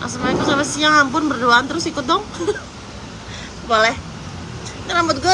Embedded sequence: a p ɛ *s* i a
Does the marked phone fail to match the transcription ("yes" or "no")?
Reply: no